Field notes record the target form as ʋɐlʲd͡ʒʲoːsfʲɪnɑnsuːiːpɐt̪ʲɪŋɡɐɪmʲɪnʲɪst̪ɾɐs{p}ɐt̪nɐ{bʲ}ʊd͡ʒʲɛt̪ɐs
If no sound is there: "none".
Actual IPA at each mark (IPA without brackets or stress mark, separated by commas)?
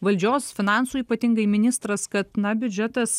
k, bʲ